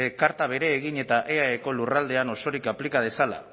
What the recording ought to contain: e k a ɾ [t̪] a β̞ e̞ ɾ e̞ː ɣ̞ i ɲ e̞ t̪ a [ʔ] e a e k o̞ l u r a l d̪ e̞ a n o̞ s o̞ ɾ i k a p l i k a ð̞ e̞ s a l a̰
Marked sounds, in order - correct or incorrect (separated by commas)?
correct, correct